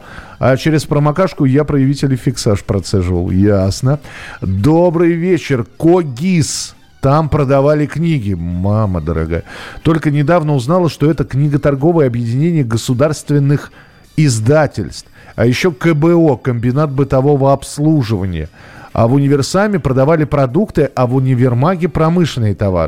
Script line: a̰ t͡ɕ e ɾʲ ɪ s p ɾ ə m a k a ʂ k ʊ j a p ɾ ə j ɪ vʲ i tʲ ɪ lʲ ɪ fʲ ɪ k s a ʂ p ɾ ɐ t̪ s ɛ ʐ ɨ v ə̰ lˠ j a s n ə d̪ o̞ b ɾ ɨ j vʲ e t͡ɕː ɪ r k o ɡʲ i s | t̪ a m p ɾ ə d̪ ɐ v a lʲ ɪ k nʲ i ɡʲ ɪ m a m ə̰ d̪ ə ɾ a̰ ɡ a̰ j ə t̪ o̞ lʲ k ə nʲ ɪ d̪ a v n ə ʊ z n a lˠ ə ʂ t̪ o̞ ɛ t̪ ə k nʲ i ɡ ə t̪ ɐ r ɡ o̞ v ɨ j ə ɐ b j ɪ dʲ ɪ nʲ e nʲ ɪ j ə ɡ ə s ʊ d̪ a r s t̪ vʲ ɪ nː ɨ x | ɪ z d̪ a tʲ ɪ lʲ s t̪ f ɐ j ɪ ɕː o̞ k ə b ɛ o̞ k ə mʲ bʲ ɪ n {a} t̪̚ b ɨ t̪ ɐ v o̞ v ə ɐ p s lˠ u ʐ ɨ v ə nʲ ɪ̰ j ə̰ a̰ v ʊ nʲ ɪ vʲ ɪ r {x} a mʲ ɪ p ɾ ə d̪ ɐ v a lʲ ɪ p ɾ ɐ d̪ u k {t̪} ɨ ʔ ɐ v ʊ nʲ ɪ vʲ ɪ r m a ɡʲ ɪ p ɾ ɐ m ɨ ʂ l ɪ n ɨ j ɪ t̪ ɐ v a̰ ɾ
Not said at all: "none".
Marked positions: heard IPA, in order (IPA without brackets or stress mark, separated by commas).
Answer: a, s, t̪